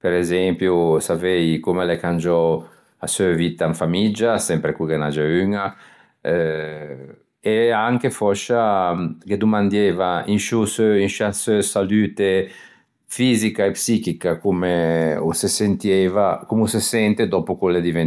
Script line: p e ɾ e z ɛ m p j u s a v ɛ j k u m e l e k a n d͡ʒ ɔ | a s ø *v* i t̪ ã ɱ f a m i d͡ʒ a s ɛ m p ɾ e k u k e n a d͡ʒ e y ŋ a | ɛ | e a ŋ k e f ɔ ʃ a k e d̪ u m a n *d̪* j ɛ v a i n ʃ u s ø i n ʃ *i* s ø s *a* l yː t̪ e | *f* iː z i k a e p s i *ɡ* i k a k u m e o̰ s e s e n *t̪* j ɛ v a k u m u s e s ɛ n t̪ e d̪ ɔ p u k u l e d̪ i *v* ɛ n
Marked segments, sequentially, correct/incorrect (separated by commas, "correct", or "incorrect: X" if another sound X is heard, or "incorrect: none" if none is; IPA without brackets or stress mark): correct, correct, incorrect: a, correct, correct, incorrect: k, correct, correct